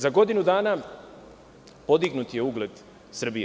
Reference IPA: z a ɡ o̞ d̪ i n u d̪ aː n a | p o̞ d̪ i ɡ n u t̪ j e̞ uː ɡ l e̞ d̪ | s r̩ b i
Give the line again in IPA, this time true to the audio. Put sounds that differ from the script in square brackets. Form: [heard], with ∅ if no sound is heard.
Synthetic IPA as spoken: z a ɡ o̞ d̪ i n u d̪ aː n a | p o̞ d̪ i ɡ n u t̪ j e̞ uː ɡ l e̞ d̪ | s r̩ b i